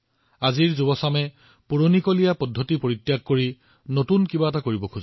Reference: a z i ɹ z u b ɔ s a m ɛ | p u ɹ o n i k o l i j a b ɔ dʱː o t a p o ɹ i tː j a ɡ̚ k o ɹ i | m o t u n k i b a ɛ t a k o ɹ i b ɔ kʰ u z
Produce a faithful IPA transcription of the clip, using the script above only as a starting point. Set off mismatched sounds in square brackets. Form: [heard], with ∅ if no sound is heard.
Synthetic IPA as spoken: a z i ɹ z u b ɔ s a m ɛ | p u ɹ o n i k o l i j a [p] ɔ dʱː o t [i] p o ɹ i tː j a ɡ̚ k o ɹ i | [n] o t u n k i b a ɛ t a k o ɹ i b ɔ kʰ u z